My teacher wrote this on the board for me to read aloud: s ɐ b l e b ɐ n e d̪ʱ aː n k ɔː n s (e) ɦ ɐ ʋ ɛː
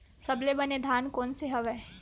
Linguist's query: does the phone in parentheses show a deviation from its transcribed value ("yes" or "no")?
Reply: no